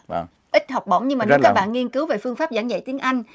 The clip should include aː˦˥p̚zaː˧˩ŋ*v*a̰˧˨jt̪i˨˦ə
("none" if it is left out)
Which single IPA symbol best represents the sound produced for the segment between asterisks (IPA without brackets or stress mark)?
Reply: z